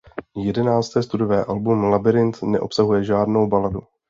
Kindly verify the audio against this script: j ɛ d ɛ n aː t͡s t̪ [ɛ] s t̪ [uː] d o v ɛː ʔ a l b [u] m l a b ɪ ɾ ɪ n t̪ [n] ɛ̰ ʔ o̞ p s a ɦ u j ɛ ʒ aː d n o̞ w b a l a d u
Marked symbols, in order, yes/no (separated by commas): no, no, yes, yes